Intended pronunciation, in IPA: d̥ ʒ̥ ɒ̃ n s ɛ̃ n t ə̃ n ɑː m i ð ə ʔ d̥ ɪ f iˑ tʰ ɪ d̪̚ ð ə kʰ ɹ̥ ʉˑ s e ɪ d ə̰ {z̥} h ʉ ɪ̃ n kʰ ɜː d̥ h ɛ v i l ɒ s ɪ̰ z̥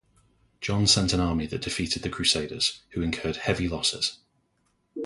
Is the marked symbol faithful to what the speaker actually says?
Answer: yes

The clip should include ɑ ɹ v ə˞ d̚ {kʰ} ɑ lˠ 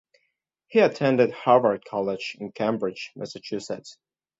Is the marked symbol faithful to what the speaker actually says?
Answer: yes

